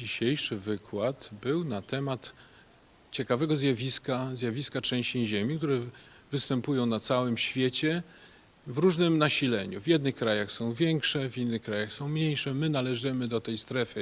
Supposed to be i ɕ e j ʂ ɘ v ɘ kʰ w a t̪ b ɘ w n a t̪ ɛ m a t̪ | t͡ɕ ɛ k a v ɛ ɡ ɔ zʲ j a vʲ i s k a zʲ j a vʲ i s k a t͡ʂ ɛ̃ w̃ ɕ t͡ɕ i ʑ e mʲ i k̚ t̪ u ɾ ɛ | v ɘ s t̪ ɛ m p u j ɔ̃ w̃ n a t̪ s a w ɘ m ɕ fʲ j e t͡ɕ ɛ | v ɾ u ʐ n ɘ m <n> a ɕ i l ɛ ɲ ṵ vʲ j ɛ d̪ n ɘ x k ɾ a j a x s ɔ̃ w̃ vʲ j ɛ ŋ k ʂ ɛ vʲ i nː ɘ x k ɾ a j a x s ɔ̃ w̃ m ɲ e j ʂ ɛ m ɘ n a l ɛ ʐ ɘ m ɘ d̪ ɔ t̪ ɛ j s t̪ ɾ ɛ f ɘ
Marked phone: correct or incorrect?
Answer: correct